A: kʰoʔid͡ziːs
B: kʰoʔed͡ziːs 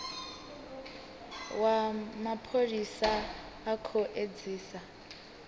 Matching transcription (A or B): B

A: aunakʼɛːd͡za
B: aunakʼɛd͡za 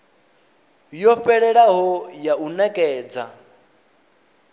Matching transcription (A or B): A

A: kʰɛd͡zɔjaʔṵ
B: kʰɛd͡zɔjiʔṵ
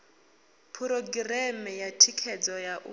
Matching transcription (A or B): A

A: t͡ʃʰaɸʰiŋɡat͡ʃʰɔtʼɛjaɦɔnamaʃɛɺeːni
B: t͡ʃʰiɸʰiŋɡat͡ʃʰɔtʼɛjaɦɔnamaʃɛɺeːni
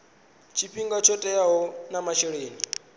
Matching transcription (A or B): B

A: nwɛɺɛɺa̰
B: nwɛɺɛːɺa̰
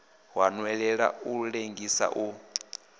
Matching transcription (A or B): A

